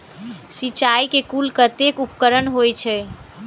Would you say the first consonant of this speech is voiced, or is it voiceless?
voiceless